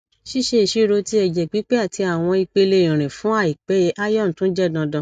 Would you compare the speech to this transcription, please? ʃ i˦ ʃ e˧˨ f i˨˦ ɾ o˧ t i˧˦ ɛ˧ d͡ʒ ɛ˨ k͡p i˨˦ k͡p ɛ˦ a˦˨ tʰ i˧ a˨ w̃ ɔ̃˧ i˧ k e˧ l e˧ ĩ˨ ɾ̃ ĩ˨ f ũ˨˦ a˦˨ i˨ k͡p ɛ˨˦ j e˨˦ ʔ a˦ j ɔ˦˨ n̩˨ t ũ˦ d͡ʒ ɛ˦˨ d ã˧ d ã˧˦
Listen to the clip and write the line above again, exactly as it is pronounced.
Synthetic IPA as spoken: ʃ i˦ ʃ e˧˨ ʃ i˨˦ ɾ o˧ t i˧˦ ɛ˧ d͡ʒ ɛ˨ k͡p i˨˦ k͡p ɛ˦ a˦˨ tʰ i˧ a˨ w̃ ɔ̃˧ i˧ k͡p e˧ l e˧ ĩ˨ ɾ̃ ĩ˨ f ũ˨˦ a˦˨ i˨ k͡p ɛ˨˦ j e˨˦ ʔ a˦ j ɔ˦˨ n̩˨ t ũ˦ d͡ʒ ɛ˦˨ d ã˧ d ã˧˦